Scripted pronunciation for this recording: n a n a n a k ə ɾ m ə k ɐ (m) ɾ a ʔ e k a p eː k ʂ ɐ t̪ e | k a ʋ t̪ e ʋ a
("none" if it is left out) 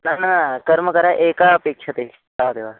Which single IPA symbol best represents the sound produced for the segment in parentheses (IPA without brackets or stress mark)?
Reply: none